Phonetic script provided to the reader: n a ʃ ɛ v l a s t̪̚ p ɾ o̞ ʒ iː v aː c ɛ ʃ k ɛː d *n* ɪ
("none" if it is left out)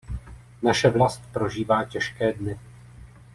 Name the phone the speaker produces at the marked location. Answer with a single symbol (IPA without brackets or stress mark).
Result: n